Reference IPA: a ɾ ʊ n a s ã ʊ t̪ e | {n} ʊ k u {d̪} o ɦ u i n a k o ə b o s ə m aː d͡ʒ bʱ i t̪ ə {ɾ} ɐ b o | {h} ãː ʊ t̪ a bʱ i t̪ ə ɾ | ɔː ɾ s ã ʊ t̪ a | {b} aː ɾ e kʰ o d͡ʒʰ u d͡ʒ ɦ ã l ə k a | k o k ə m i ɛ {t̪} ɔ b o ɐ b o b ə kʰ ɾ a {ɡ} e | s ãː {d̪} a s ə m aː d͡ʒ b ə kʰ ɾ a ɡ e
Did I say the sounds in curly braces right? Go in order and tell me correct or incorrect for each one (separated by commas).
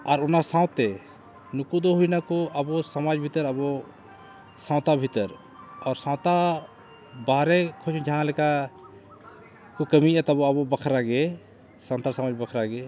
correct, correct, correct, incorrect, correct, correct, correct, incorrect